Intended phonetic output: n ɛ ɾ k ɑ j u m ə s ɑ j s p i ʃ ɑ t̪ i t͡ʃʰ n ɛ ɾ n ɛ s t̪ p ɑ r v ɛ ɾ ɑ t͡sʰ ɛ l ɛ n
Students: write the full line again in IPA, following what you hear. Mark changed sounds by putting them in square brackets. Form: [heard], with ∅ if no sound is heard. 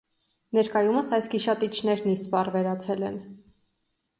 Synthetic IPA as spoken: n ɛ ɾ k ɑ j u m ə s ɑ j s [k] i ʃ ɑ t̪ i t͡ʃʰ n ɛ ɾ n [i] s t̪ p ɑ r v ɛ ɾ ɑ t͡sʰ ɛ l ɛ n